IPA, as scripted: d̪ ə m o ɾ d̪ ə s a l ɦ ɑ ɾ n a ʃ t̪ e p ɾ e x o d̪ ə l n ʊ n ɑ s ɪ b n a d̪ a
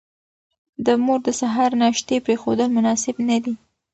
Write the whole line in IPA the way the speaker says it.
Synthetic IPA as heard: d̪ ə m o ɾ d̪ ə s a ɦ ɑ ɾ n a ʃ t̪ e p ɾ e x o d̪ ə l m ʊ n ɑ s ɪ b n a d̪ i